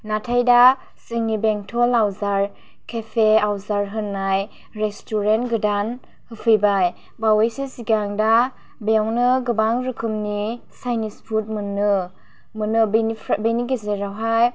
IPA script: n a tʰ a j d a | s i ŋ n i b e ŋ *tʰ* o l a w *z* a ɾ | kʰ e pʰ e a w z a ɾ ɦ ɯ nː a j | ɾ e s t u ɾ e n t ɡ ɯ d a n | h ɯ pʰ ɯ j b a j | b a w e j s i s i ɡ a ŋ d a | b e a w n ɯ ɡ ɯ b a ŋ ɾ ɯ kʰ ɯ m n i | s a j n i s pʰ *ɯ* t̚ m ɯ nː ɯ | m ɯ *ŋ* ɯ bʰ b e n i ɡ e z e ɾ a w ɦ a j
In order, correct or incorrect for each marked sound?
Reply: correct, correct, incorrect, incorrect

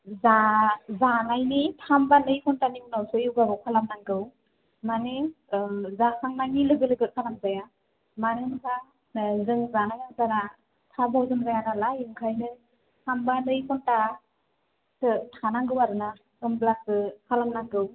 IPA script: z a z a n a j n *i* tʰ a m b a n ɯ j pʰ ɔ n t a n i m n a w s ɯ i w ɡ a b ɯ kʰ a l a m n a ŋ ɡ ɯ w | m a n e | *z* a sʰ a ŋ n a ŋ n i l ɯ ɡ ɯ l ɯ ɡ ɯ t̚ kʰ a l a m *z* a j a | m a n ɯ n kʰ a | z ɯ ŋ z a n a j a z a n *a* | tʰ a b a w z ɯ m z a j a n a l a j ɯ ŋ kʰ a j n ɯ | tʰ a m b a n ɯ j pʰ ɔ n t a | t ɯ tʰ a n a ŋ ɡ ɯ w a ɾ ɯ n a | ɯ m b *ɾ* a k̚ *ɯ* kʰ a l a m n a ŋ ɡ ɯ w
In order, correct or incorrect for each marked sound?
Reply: correct, correct, correct, correct, incorrect, correct

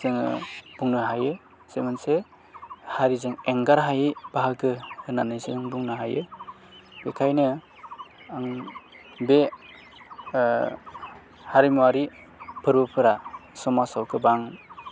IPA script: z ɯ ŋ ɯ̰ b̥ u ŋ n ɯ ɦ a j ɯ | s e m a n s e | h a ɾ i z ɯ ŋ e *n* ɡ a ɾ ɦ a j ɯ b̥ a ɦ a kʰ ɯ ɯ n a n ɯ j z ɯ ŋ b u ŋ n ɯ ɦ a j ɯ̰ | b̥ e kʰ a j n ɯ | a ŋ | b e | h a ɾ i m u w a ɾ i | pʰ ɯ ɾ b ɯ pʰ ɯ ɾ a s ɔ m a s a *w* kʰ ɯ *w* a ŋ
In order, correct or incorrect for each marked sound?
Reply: incorrect, correct, incorrect

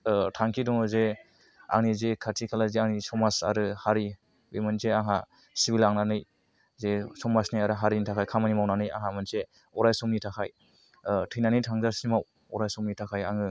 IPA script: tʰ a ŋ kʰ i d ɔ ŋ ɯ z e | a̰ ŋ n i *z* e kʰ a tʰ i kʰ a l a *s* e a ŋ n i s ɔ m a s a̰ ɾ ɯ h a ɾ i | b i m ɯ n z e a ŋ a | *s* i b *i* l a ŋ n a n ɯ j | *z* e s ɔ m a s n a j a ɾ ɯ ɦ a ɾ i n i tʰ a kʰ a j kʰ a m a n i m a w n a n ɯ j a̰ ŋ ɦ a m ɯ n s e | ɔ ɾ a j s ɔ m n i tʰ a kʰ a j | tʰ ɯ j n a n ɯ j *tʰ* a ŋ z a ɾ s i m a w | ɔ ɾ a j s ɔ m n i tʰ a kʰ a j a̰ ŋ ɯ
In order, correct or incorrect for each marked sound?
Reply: correct, incorrect, correct, correct, correct, correct

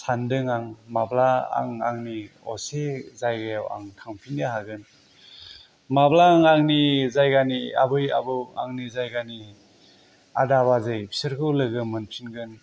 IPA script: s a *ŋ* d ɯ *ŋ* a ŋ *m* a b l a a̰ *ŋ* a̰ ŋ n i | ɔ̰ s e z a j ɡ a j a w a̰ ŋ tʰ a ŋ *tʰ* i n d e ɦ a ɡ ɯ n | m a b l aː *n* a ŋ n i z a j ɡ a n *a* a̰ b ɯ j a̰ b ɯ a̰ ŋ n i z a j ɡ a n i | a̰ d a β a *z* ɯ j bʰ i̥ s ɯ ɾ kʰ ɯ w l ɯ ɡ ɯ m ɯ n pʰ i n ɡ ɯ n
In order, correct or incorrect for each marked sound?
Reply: incorrect, correct, correct, correct, incorrect, incorrect, incorrect, correct

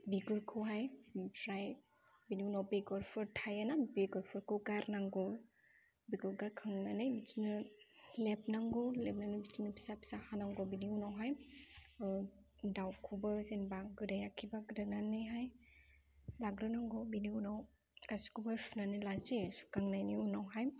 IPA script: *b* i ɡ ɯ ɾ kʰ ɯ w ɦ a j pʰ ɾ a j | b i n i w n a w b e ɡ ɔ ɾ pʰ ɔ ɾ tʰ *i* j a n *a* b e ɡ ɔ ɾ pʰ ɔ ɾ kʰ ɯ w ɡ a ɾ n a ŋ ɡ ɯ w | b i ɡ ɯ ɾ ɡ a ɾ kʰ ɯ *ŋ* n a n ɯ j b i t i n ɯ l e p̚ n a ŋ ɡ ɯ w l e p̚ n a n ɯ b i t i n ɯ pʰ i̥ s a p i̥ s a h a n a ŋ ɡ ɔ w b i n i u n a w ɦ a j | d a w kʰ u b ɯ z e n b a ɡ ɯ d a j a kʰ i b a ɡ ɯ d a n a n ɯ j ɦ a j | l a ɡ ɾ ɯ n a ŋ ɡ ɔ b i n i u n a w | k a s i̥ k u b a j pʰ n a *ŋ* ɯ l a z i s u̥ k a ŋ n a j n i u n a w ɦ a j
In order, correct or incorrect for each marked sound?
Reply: correct, incorrect, correct, correct, incorrect

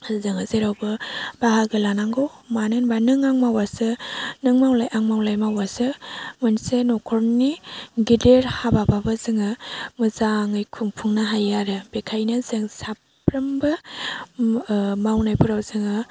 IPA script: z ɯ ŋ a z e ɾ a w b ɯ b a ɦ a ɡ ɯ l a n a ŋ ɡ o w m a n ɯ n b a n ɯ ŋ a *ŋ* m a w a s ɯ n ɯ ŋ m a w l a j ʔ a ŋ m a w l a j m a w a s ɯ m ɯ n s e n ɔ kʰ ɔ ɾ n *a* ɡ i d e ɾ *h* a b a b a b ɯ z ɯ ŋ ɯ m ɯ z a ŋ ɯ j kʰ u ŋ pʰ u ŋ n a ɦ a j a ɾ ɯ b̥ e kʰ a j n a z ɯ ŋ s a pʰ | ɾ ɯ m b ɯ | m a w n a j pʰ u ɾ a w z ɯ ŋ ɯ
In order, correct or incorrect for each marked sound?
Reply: correct, incorrect, correct

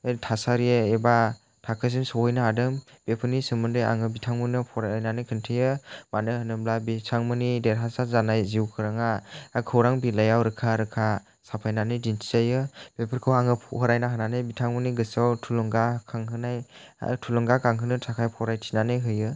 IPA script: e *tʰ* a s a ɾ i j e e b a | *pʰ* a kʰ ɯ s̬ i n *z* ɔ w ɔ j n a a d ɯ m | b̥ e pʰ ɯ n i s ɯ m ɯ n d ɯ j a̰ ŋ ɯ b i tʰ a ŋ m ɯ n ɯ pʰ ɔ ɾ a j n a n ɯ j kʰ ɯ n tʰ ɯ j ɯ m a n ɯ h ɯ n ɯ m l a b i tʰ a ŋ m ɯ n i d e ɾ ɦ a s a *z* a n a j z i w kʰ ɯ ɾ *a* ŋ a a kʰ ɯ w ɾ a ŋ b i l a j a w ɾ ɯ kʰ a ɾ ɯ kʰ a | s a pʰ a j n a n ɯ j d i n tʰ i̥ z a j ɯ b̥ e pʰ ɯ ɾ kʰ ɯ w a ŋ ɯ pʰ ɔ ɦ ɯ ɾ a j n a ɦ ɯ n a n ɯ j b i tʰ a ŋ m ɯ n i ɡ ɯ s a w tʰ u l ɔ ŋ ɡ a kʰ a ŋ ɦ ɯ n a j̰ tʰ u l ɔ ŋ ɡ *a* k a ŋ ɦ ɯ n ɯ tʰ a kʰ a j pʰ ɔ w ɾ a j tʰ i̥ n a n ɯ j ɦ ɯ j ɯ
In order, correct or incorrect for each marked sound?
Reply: correct, incorrect, incorrect, correct, correct, correct

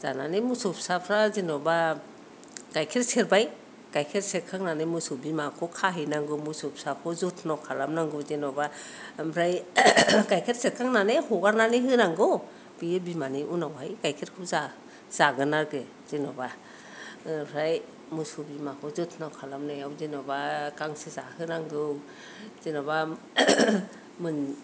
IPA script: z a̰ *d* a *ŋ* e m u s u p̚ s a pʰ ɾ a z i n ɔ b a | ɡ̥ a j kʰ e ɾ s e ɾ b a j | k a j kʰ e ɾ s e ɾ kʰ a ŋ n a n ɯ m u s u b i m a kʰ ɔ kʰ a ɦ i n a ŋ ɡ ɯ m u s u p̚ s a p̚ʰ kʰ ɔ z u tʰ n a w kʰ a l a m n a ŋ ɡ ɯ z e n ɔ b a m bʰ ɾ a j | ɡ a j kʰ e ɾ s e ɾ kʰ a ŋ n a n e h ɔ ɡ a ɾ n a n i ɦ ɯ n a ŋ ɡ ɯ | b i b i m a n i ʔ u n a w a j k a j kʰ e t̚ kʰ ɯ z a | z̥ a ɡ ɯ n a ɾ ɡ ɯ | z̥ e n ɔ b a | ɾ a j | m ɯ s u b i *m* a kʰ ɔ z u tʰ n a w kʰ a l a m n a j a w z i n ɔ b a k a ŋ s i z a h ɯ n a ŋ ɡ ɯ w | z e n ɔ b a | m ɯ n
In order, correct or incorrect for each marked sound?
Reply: incorrect, incorrect, correct

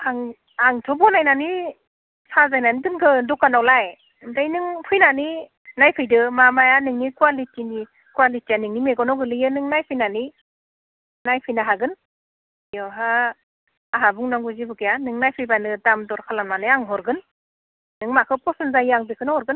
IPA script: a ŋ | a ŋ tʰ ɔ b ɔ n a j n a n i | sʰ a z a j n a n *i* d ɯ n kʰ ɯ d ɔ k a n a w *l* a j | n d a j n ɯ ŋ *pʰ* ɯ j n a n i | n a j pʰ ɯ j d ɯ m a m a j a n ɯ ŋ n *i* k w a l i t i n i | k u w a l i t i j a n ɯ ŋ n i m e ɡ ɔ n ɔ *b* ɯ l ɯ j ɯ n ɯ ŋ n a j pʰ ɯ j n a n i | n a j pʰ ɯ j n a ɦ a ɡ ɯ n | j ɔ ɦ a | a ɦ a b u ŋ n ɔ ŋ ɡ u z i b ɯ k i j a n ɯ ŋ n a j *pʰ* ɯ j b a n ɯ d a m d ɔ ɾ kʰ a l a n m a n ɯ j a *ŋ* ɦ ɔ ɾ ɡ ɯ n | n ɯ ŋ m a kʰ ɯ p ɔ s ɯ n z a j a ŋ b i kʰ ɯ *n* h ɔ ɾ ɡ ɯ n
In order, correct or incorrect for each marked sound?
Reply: correct, correct, correct, correct, incorrect, correct, correct, correct

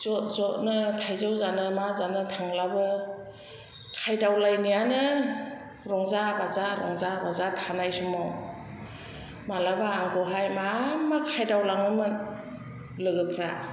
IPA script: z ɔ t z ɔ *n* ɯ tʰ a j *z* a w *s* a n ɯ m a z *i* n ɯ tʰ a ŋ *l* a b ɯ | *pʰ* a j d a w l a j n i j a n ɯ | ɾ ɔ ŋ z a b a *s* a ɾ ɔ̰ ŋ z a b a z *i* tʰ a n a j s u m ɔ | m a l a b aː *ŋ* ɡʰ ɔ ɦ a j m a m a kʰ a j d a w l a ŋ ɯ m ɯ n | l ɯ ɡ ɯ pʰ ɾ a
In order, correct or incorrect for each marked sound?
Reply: correct, correct, incorrect, incorrect, correct, incorrect, incorrect, incorrect, correct

